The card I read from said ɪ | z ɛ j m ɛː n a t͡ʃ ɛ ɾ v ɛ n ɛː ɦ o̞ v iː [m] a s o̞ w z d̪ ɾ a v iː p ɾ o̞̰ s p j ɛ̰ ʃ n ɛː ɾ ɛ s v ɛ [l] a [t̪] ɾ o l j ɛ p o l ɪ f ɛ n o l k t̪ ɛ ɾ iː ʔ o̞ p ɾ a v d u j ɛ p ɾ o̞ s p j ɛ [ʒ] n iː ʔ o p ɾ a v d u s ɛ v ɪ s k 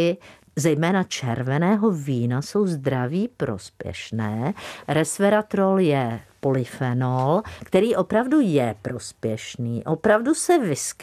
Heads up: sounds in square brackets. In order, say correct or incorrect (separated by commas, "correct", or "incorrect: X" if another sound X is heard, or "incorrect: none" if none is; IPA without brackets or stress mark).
incorrect: n, incorrect: ɾ, correct, incorrect: ʃ